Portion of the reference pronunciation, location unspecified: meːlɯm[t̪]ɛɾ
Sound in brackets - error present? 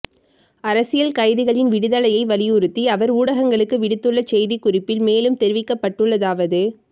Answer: no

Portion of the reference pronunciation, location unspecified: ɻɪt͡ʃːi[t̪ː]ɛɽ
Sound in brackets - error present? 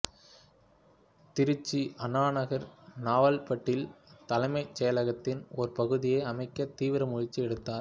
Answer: yes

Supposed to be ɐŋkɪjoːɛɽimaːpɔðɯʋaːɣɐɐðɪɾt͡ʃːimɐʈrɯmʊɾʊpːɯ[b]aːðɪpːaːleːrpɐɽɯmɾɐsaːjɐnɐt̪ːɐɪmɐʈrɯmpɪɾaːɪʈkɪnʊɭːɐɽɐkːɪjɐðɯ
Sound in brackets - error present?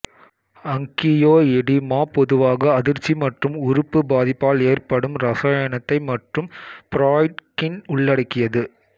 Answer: no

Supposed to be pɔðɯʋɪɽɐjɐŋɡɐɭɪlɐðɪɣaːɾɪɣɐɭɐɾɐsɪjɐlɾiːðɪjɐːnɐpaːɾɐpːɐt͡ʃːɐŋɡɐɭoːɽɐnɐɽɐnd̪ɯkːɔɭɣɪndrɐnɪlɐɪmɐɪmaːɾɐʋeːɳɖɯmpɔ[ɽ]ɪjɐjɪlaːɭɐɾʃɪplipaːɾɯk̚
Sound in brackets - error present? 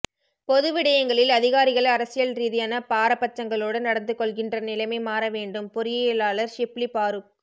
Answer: yes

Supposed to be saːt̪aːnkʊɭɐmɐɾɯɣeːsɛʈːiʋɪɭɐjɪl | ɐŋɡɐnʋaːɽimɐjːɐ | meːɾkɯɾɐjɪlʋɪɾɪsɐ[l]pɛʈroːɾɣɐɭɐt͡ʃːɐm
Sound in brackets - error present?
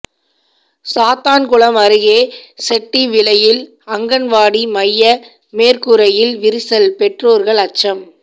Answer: no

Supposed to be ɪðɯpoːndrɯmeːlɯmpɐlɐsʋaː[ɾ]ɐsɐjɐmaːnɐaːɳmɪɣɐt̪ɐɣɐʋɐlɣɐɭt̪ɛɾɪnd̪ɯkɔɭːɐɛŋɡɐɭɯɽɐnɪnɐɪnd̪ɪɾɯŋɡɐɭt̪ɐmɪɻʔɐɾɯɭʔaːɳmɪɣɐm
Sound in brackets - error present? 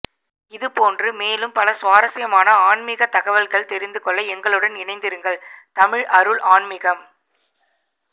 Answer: no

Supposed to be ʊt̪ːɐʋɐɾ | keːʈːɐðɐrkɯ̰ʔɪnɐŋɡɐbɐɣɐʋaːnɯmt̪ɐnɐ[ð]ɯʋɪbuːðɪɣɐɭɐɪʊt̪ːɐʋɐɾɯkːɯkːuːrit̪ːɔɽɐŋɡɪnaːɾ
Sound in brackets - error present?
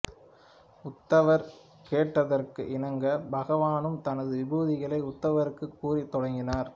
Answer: no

